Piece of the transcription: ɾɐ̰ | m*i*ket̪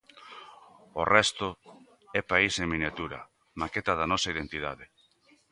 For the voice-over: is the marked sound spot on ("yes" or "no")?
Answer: no